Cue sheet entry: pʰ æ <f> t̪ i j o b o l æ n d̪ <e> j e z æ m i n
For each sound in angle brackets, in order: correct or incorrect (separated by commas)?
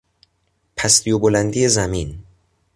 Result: incorrect, incorrect